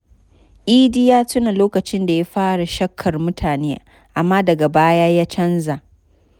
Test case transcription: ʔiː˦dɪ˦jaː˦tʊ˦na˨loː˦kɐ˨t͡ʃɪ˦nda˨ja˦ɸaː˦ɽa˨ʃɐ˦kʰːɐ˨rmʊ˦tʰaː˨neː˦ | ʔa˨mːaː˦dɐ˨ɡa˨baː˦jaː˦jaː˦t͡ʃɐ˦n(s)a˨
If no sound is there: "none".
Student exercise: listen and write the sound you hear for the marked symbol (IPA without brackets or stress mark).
z